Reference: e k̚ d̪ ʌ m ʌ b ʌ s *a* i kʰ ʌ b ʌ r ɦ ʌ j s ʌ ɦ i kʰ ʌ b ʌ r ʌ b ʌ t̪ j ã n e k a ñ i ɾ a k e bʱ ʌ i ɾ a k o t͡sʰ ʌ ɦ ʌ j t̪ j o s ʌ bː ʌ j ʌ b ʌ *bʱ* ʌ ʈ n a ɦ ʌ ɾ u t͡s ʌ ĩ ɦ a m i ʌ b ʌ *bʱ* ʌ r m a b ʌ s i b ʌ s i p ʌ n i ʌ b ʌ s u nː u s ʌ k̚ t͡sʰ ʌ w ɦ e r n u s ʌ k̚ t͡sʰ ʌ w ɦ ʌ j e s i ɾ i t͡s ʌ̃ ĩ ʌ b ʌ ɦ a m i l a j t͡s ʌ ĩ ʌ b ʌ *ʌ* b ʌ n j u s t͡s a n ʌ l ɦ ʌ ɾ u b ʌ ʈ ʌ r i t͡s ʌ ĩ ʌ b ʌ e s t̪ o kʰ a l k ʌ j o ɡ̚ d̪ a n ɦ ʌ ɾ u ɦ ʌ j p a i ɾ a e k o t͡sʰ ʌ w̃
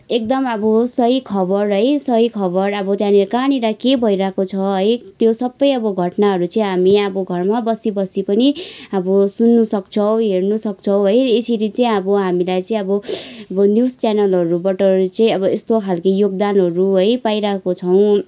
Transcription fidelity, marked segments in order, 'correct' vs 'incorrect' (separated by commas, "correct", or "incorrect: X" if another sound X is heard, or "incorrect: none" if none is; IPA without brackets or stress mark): incorrect: ʌ, incorrect: ɡʱ, incorrect: ɡʱ, correct